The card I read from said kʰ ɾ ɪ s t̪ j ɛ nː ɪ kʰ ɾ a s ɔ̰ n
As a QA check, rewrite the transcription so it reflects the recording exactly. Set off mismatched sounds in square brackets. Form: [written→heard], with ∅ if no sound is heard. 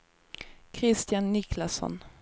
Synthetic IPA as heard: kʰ ɾ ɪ s t̪ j [ɛ→a] nː ɪ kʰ [ɾ→l] a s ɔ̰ n